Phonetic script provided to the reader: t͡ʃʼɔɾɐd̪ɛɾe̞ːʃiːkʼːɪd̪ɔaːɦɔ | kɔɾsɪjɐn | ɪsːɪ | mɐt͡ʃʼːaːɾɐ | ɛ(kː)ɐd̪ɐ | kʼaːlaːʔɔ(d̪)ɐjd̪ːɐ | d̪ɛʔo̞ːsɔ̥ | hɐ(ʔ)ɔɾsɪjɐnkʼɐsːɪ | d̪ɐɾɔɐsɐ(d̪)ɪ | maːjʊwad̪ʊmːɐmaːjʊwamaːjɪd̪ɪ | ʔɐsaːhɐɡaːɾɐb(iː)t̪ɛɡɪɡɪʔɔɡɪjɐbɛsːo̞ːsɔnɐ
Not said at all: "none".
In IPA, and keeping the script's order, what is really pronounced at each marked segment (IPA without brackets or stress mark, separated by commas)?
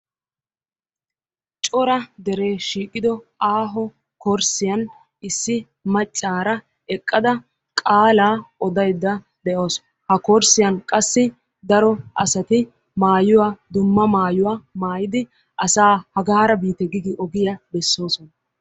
kʼː, d̪, k, t̪, iː